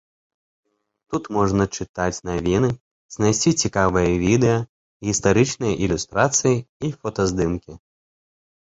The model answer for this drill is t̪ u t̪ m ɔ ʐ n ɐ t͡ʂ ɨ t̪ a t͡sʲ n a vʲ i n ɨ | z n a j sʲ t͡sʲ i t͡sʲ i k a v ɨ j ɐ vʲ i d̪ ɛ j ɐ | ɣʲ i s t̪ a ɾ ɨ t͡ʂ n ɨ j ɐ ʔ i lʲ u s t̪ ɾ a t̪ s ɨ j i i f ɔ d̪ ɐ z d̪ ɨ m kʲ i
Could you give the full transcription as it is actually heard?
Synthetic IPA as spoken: t̪ u t̪ m ɔ ʐ n ɐ t͡ʂ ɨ t̪ a t͡sʲ n a vʲ i n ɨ | z n a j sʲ t͡sʲ i t͡sʲ i k a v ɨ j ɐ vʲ i d̪ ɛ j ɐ | ɣʲ i s t̪ a ɾ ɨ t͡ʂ n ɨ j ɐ ʔ i lʲ u s t̪ ɾ a t̪ s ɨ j i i f ɔ t̪ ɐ z d̪ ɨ m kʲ i